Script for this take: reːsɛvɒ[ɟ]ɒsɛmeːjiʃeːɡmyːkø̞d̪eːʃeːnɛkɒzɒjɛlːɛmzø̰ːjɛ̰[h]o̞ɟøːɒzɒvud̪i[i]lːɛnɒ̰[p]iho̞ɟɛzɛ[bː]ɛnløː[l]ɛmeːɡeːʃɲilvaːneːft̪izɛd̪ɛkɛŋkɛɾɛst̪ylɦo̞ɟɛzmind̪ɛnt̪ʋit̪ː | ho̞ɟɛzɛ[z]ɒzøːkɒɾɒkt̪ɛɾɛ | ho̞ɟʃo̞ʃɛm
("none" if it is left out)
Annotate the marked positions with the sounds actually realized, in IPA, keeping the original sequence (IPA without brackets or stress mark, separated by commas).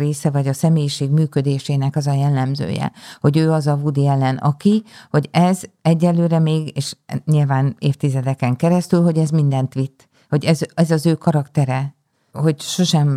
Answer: ɟ, h, ɛ, k, ɟː, ɾ, z